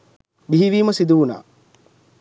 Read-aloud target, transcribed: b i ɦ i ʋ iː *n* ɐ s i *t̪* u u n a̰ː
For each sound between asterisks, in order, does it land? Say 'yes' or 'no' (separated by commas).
no, no